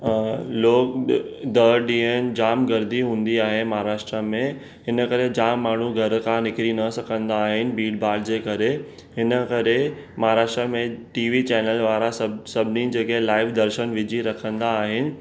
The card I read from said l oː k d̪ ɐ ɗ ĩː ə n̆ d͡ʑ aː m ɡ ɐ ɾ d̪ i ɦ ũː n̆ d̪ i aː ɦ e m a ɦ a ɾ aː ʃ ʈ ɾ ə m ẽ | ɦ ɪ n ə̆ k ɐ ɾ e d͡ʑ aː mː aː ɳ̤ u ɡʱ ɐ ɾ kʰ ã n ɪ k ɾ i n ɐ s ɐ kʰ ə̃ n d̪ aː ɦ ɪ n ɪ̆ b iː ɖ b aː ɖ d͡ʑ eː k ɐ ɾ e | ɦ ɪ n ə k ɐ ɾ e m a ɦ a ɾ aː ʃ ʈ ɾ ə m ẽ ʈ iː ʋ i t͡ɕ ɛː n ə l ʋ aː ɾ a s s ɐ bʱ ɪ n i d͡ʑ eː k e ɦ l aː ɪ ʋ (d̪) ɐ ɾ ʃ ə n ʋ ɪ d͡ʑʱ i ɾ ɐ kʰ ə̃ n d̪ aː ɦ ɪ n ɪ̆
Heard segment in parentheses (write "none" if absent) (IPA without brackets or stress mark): d̪